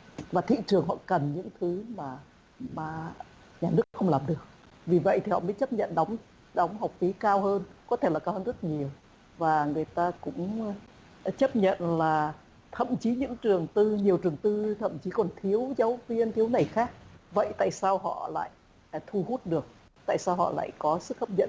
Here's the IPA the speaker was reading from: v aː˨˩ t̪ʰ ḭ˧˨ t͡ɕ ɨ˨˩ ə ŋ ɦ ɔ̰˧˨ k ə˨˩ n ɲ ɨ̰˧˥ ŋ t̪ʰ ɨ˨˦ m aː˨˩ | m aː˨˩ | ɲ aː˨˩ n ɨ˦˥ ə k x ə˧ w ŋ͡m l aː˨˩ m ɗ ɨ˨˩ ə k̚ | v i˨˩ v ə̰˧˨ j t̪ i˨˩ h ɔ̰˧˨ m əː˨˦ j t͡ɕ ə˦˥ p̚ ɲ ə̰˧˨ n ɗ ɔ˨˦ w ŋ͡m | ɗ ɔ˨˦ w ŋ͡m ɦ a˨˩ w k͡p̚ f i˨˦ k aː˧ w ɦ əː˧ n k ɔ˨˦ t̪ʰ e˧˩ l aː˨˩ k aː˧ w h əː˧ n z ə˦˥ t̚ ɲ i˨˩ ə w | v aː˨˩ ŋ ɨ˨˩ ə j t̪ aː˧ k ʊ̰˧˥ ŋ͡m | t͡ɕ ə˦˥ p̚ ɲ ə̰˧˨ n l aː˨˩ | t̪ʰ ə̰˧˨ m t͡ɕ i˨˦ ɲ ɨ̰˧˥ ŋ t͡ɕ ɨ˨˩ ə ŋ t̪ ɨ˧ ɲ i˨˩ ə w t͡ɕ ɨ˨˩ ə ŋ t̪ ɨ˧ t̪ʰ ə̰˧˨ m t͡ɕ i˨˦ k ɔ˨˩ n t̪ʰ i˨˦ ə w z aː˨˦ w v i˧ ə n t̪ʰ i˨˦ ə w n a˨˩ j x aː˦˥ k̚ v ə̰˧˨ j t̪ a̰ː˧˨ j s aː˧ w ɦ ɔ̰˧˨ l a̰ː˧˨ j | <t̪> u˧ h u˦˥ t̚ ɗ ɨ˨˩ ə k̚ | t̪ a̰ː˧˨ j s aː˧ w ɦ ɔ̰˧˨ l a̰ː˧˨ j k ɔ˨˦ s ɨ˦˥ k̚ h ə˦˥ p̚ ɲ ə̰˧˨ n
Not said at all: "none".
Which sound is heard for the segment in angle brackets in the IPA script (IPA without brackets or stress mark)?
t̪ʰ